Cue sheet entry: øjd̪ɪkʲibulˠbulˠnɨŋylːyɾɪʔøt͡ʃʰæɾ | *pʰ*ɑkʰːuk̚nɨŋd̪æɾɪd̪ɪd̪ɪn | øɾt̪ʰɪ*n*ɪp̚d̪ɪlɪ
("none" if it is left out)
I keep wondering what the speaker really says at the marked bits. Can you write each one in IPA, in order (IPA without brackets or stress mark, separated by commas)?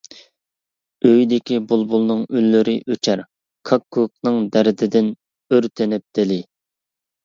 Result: kʰ, n